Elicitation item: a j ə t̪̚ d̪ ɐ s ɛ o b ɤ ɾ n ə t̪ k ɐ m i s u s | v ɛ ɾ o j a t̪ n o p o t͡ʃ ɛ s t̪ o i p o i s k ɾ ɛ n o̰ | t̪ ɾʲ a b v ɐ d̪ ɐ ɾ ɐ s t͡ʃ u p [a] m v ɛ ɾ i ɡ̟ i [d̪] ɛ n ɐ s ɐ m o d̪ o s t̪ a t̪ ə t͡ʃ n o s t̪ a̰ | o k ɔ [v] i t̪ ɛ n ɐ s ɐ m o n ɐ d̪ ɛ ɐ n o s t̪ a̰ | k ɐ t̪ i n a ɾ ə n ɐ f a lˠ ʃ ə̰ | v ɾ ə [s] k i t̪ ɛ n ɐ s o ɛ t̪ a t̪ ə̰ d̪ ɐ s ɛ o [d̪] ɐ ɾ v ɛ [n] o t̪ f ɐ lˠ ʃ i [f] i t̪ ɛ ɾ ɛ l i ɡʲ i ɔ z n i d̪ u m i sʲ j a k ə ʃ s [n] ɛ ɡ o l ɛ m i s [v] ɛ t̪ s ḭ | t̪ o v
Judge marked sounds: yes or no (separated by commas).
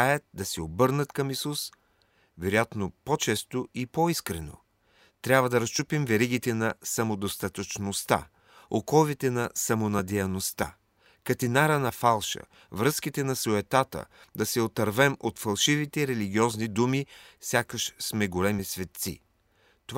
no, no, yes, yes, no, no, no, no, yes